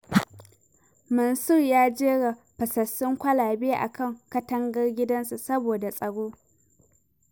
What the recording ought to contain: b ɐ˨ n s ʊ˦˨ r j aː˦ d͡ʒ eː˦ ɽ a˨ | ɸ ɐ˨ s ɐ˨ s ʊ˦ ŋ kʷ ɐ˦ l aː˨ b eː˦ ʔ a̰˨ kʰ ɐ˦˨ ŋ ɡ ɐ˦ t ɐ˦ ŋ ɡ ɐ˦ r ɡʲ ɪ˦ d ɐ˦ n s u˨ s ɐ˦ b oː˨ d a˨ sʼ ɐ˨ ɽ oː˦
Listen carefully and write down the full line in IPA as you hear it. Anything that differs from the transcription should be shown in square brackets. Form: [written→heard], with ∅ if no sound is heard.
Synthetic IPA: [b→m] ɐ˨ n s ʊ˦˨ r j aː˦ d͡ʒ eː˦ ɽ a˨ | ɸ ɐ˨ s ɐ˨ s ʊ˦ ŋ kʷ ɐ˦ l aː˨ b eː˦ ʔ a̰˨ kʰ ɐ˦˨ ŋ [ɡ→k] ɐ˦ t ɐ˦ ŋ ɡ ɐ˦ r ɡʲ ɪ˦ d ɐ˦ n s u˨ s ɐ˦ b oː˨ d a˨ sʼ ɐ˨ ɽ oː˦